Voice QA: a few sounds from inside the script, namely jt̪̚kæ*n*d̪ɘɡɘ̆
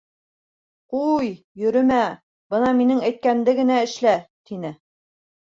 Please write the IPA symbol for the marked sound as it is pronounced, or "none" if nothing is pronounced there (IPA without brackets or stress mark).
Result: n